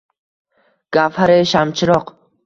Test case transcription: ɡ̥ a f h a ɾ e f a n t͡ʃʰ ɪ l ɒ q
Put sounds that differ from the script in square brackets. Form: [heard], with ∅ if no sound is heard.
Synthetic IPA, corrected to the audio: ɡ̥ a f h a ɾ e [ʃ] a [m] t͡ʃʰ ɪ [ɾ] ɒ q